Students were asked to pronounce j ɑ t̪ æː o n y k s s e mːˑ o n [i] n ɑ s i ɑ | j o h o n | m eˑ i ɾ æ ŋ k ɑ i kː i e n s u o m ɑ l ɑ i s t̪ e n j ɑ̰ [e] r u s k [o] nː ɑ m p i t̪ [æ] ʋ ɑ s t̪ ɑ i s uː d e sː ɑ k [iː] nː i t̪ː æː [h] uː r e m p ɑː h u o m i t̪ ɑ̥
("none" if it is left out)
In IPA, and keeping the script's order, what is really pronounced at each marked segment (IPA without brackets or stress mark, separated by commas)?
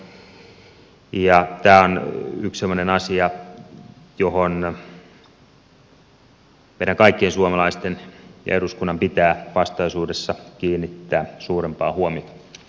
e, e, u, æː, iː, s